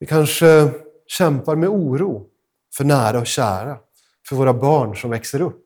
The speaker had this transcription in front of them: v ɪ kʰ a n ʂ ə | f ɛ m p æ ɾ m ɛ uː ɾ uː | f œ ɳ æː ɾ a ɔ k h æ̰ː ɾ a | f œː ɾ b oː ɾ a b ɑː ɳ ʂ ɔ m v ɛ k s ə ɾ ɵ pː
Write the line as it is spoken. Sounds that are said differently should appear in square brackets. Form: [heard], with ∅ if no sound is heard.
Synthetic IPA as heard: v ɪ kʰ a n ʂ ə | [ɕ] ɛ m p [a] ɾ m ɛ uː ɾ uː | f œ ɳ æː ɾ a ɔ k [ɕ] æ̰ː ɾ a | f [œ] ɾ [v] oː ɾ a b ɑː ɳ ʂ ɔ m v ɛ k s ə ɾ ɵ pː